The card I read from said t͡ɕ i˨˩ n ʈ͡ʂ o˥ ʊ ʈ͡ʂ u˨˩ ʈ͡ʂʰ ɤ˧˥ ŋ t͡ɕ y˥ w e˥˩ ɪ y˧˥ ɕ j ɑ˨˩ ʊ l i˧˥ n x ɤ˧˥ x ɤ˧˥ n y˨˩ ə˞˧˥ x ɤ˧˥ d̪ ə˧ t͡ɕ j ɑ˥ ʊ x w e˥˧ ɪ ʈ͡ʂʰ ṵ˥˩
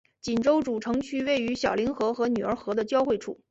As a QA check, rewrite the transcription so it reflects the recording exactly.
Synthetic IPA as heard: t͡ɕ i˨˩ n ʈ͡ʂ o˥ ʊ ʈ͡ʂ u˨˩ ʈ͡ʂʰ ɤ˧˥ ŋ t͡ɕʰ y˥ w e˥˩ ɪ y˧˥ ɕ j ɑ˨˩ ʊ l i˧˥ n x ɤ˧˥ x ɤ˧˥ n y˨˩ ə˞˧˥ x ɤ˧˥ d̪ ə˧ t͡ɕ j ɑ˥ ʊ x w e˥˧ ɪ ʈ͡ʂʰ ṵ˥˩